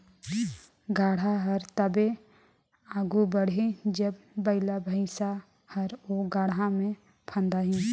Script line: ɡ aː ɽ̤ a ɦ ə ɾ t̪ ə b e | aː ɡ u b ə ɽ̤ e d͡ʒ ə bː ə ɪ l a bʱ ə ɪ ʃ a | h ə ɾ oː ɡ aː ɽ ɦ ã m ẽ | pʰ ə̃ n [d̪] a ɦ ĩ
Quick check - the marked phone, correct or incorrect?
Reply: correct